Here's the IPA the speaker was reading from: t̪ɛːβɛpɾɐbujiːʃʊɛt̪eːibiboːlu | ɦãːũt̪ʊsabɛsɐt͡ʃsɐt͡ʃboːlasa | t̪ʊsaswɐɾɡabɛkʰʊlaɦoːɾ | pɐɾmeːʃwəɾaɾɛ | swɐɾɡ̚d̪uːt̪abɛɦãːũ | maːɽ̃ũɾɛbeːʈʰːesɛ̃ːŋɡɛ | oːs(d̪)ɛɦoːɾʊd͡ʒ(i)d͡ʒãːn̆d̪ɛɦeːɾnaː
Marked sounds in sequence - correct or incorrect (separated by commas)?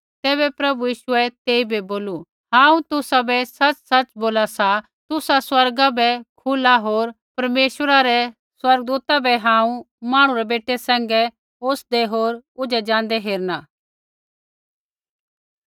correct, incorrect